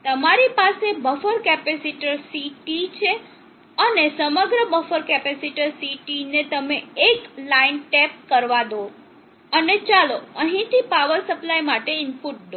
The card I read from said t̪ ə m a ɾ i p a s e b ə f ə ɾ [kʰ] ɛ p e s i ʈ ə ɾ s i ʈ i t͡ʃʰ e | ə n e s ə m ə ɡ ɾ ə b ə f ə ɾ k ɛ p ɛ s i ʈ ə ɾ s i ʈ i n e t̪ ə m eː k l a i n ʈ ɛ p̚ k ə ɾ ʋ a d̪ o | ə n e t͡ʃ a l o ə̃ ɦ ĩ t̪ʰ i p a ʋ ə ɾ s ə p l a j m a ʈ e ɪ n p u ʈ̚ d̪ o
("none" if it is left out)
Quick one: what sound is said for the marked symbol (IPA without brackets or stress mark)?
k